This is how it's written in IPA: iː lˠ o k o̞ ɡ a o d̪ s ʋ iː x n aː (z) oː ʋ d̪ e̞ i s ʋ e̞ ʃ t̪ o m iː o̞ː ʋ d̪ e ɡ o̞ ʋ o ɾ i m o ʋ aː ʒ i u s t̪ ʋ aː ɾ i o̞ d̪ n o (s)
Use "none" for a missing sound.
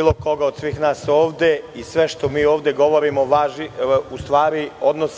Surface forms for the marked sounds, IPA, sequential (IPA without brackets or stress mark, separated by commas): s, s